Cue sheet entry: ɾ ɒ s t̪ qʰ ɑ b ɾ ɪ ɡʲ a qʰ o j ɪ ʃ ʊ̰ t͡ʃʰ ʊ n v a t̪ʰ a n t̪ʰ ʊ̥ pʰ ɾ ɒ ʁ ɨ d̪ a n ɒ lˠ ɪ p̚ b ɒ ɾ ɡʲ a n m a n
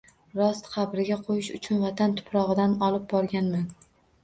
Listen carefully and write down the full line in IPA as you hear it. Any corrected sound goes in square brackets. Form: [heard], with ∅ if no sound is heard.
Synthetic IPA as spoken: ɾ ɒ s t̪ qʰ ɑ b ɾ ɪ ɡʲ a qʰ o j ɪ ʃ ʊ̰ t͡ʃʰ ʊ n v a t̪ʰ a n t̪ʰ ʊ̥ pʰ ɾ ɒ ʁ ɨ d̪ a n ɒ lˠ ɪ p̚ b ɒ ɾ ɡʲ a n m a n